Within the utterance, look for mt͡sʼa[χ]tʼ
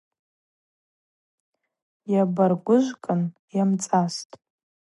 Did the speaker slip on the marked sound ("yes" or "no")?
yes